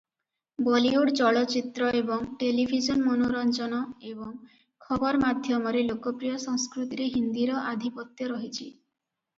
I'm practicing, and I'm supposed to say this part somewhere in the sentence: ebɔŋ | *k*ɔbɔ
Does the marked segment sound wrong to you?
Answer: yes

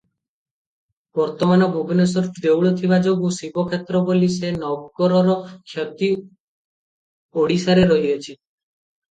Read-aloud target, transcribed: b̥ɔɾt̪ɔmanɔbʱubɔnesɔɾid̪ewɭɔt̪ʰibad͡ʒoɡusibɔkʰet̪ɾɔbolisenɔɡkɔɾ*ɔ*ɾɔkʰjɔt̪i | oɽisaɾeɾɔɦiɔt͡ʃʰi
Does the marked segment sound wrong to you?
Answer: no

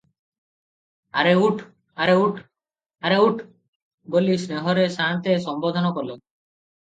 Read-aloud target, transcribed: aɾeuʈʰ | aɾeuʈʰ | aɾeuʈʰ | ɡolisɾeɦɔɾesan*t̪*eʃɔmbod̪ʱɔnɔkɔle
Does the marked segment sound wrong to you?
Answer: no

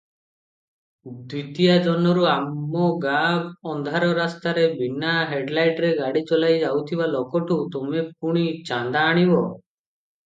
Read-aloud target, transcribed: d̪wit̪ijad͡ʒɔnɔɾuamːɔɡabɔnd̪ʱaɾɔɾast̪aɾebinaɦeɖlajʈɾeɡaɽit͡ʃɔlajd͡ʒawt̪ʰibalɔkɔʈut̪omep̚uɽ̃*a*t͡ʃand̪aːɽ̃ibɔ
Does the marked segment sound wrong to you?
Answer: yes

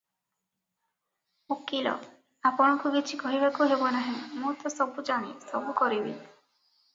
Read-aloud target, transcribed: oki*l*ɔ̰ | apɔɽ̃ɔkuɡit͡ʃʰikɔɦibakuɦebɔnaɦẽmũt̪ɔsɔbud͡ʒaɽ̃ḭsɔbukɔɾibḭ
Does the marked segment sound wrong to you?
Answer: no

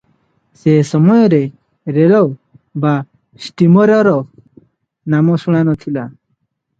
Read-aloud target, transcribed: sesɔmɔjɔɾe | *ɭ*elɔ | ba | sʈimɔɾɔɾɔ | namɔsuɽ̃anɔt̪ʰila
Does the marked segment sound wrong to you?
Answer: yes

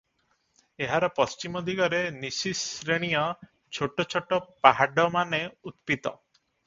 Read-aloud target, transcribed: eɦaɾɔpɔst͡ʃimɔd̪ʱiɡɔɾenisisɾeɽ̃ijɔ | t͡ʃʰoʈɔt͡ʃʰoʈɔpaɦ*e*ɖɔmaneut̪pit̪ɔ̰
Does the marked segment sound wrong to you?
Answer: yes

